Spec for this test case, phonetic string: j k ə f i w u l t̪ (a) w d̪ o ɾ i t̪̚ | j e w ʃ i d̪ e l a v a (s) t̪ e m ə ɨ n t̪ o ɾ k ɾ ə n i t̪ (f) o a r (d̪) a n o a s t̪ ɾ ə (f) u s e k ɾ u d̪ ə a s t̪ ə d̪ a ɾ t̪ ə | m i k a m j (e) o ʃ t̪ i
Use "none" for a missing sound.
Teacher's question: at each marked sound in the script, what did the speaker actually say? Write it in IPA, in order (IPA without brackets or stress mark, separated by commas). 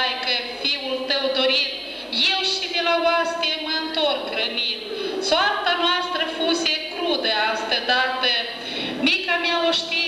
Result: ə, s, s, t̪, f, a